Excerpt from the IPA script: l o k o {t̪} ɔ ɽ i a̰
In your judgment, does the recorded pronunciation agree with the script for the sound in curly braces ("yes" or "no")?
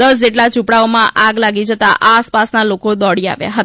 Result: no